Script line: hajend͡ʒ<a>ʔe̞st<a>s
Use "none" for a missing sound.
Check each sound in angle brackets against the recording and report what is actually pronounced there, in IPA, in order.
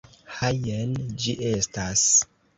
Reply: i, a

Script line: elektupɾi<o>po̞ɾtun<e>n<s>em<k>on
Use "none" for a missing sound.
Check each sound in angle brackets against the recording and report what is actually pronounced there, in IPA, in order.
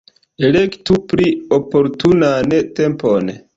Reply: o, a, t, p

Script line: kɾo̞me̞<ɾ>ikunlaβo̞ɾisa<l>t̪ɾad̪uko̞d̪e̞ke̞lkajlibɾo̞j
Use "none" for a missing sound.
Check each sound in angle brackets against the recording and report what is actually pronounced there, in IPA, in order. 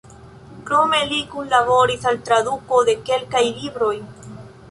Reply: l, l

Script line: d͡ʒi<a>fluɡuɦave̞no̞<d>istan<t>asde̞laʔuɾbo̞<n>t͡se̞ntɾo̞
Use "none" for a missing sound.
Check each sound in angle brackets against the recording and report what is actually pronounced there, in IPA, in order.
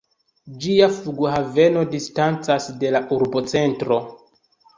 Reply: a, d, t͡s, none

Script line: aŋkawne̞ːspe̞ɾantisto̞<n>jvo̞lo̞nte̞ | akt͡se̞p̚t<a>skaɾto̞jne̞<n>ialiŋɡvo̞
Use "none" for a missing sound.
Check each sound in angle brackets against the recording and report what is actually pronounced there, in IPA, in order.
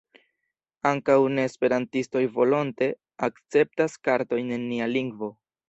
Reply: none, a, nː

